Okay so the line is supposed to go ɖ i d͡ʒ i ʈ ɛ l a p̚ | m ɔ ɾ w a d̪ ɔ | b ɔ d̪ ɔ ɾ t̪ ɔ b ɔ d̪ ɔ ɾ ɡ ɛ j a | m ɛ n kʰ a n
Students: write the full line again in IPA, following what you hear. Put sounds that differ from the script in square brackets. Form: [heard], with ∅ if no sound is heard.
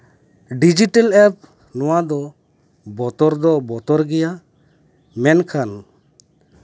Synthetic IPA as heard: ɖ i d͡ʒ i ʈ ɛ l [ɛ] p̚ | [n] ɔ [∅] w a d̪ ɔ | b ɔ [t̪] ɔ ɾ [d̪] ɔ b ɔ [t̪] ɔ ɾ ɡ ɛ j a | m ɛ n kʰ a n